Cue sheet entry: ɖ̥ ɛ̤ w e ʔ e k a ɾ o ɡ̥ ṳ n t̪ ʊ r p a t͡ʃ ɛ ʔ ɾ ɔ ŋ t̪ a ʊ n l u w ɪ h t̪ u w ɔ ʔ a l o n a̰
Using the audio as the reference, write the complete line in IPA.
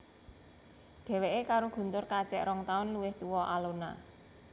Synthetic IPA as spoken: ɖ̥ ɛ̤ w e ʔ e k a ɾ o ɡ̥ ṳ n t̪ ʊ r k a t͡ʃ ɛ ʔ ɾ ɔ ŋ t̪ a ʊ n l u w ɪ h t̪ u w ɔ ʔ a l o n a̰